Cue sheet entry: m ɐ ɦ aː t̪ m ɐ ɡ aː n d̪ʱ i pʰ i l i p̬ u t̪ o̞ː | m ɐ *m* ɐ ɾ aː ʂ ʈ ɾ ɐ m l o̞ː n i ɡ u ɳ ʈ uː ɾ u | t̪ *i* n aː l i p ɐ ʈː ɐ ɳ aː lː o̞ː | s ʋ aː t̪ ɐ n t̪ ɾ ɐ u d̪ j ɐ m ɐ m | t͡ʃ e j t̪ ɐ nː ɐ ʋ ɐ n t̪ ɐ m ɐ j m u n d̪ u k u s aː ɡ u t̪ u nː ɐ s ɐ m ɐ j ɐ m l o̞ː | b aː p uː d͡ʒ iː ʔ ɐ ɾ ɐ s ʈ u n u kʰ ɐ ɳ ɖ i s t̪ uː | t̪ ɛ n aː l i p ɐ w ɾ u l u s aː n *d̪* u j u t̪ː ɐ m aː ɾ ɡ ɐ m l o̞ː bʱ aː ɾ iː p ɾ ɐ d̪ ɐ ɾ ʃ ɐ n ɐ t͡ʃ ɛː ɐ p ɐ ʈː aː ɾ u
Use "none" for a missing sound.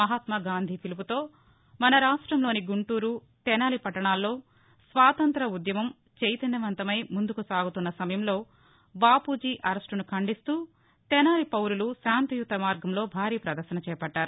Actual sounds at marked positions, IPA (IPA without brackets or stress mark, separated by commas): n, ɛ, t̪